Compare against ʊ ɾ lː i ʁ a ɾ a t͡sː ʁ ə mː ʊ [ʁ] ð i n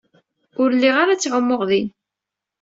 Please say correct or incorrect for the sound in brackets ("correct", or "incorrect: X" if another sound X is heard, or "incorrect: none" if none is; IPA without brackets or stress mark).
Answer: correct